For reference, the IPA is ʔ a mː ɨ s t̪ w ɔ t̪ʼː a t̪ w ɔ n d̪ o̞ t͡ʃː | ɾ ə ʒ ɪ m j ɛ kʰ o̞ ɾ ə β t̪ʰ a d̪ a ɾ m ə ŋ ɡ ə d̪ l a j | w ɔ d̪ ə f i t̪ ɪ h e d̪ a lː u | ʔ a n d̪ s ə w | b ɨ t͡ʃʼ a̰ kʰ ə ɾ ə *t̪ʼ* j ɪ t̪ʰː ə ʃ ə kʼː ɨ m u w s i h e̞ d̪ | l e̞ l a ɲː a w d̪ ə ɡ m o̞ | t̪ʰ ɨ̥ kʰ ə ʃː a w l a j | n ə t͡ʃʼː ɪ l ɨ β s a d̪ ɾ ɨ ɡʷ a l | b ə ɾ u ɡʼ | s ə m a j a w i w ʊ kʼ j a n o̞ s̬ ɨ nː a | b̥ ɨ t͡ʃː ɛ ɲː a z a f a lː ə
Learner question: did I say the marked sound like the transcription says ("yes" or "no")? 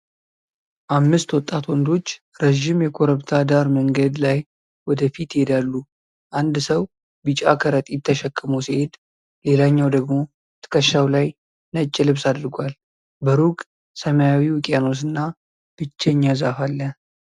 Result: yes